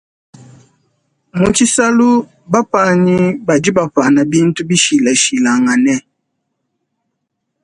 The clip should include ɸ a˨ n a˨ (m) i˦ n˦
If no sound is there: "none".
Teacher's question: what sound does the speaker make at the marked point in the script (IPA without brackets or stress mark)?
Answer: b